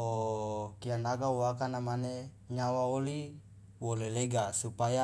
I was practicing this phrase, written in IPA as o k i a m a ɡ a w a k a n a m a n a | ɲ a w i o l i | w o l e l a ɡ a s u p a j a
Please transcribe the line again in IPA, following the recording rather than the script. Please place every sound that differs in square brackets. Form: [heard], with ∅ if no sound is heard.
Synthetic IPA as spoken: o k i a [n] a ɡ a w a k a n a m a n [e] | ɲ a w [a] o l i | w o l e l [e] ɡ a s u p a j a